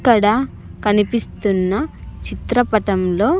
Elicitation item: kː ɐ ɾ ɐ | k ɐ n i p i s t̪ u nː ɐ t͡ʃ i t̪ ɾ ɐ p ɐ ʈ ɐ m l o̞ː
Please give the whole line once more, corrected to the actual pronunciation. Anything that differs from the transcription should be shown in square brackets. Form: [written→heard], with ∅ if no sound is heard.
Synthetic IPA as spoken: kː ɐ [ɾ→ɽ] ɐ | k ɐ n i p i s t̪ u nː ɐ t͡ʃ i t̪ ɾ ɐ p ɐ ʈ ɐ m l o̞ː